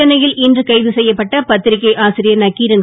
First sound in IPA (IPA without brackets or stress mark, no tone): ɐ